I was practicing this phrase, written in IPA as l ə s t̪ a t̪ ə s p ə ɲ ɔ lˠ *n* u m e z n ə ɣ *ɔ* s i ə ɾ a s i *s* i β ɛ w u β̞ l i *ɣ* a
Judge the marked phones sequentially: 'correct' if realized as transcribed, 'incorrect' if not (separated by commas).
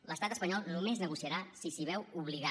correct, incorrect, correct, correct